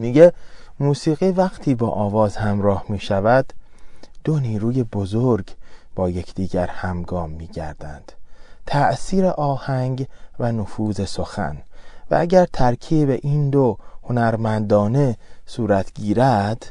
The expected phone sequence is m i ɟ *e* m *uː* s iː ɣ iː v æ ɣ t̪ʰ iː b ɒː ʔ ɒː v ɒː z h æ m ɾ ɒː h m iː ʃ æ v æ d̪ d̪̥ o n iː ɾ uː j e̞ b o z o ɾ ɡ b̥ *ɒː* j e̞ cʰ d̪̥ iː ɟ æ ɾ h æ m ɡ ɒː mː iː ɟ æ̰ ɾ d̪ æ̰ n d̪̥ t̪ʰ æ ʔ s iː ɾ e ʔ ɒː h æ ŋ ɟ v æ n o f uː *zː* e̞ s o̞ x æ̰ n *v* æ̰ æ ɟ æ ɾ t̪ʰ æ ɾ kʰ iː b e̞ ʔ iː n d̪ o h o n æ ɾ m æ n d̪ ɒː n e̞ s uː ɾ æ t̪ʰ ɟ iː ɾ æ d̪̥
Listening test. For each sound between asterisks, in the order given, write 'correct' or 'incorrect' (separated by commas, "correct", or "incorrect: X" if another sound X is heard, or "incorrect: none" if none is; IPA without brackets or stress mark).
correct, correct, correct, incorrect: z, correct